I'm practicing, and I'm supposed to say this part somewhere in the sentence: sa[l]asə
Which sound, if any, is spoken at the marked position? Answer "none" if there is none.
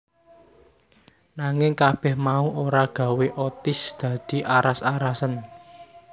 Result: ɾ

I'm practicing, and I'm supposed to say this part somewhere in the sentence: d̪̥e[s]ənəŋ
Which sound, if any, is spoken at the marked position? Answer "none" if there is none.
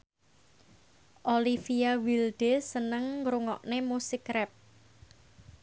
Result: s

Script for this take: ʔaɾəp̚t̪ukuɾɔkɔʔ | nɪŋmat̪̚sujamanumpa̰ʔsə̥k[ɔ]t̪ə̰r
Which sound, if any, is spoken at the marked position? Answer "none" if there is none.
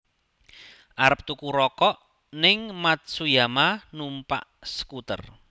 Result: u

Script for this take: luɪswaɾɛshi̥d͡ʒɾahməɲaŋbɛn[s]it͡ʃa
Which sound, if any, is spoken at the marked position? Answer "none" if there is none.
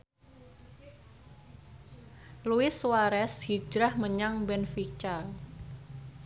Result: f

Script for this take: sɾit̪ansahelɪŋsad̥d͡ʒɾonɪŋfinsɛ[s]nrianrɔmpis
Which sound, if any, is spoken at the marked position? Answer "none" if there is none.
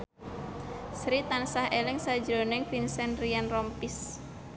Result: none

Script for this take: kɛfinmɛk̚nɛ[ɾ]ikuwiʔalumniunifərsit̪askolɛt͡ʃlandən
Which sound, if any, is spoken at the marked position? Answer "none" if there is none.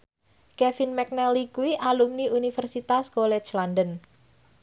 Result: l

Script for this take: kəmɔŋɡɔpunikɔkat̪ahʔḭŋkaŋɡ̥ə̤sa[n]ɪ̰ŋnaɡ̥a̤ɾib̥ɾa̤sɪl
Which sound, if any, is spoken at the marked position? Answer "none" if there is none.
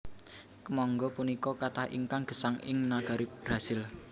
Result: ŋ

